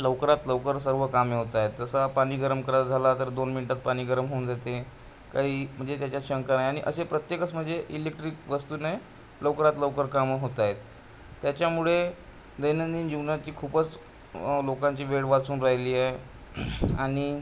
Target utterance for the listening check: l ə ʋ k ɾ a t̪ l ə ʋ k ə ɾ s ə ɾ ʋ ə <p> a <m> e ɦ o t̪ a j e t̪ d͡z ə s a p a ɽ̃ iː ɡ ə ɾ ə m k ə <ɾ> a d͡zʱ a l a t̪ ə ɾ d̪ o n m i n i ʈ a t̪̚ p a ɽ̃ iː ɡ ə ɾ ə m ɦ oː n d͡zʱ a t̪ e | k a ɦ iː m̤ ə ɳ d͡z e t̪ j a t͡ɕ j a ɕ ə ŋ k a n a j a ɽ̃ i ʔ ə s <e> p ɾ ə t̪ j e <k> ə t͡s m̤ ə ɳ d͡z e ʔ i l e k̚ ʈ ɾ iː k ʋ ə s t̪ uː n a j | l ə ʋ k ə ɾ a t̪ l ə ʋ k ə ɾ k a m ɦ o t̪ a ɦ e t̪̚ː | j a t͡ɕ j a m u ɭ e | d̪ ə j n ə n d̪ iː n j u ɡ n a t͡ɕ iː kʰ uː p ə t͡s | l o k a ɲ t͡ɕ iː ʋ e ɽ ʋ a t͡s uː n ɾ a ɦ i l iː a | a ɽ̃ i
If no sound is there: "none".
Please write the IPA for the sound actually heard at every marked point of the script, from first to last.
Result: k, m, ɾ, e, k

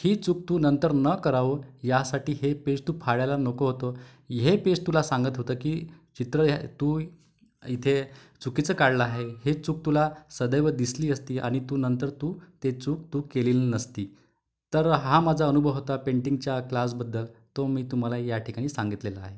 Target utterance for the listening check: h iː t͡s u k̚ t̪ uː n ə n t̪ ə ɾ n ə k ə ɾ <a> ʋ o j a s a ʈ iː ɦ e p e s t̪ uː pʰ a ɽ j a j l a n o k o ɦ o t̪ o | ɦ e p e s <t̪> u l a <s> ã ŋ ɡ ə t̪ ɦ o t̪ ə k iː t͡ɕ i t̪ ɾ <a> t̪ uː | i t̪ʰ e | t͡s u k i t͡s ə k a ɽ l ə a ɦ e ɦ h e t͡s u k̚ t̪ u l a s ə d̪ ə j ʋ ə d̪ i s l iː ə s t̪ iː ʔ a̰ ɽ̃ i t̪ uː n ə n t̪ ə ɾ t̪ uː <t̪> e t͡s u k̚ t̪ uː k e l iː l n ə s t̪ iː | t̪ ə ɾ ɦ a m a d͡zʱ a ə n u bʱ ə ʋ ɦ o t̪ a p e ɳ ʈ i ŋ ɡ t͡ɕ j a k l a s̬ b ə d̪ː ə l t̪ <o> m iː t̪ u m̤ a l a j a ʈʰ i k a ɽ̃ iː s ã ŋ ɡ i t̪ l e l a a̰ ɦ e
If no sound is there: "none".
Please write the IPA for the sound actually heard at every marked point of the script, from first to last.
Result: a, t̪, s, ə, t̪, o

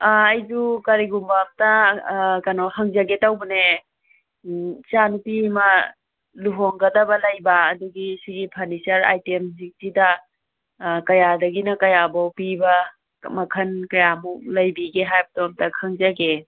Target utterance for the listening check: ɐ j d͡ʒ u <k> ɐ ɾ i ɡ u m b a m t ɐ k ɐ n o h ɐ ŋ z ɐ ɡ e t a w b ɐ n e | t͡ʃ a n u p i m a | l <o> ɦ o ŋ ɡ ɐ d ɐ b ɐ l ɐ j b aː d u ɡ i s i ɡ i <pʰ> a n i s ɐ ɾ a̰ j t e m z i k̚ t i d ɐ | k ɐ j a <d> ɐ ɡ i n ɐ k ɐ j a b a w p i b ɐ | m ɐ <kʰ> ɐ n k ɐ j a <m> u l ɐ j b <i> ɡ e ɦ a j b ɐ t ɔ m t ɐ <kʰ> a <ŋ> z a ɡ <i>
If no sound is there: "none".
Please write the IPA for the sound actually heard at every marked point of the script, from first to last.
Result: k, u, pʰ, d, kʰ, m, i, kʰ, ŋ, e

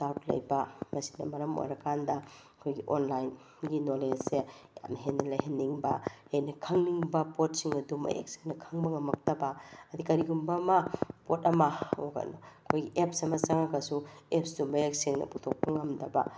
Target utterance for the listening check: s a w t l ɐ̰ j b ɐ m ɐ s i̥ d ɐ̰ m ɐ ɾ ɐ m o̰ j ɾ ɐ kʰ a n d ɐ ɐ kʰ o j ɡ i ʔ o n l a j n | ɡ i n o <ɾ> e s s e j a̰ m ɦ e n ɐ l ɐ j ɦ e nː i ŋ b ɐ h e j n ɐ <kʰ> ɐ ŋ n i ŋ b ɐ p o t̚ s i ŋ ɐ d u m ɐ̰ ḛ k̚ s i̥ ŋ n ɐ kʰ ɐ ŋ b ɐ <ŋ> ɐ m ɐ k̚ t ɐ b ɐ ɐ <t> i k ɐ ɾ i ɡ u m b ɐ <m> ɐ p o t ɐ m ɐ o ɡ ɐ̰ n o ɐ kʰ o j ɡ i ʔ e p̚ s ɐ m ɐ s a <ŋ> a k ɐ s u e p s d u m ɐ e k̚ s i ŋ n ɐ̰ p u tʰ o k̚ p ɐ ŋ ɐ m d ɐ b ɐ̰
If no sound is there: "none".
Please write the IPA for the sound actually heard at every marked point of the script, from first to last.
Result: l, kʰ, ŋ, d, m, ŋ

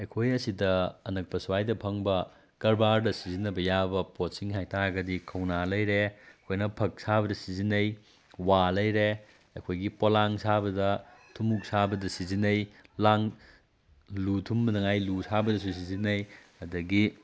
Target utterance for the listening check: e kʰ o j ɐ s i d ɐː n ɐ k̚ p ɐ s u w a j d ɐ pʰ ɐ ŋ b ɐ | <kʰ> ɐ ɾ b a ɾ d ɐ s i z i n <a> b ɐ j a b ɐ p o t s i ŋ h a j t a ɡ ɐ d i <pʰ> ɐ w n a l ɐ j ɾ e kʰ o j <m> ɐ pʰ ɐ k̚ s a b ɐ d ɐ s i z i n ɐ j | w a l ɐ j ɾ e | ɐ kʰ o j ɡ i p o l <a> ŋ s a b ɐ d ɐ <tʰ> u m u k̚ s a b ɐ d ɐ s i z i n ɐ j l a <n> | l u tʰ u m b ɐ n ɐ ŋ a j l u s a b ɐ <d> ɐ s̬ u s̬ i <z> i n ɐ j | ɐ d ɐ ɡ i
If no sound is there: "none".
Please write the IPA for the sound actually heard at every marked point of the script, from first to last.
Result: k, ɐ, kʰ, n, a, tʰ, ŋ, d, z

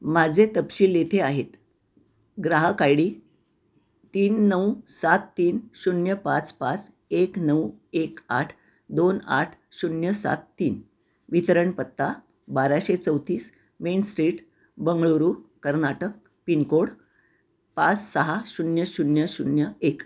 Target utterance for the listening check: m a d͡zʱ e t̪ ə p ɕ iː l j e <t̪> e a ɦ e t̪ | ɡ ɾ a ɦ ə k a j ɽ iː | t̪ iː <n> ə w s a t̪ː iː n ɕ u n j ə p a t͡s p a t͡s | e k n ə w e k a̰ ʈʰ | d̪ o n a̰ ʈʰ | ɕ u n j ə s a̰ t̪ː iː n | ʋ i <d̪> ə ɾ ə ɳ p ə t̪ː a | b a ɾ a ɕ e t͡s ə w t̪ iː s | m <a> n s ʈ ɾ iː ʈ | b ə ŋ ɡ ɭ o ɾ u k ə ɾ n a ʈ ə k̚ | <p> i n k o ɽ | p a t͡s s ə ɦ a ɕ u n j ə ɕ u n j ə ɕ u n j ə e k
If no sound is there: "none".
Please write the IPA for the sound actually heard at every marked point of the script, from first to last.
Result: t̪ʰ, nː, t̪, e, p

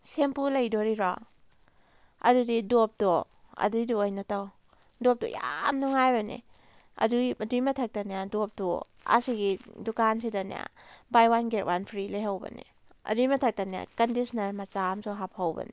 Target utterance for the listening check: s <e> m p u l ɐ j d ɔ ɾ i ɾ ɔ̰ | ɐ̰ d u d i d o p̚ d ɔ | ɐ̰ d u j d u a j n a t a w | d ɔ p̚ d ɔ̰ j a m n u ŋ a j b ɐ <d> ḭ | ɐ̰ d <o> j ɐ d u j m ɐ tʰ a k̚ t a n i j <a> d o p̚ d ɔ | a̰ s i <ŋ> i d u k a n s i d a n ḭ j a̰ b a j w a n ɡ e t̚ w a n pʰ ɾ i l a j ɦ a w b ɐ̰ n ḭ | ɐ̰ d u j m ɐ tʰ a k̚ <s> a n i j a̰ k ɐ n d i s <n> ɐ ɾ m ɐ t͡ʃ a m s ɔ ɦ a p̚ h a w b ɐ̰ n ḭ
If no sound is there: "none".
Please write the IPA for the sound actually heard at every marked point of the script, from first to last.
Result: e, n, u, a, ɡ, t, n

